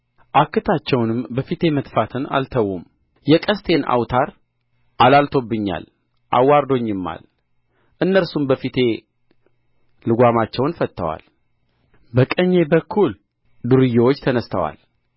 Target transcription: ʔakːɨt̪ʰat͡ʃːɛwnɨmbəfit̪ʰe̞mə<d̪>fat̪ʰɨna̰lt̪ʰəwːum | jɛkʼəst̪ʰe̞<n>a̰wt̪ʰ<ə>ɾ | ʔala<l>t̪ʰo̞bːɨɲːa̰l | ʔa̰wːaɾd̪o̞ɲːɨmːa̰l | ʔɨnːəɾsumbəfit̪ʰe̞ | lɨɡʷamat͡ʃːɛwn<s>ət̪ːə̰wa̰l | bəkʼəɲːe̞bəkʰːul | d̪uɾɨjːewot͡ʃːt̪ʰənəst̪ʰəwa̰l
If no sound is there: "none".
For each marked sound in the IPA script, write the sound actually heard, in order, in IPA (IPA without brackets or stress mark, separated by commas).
t̪, n, a, l, f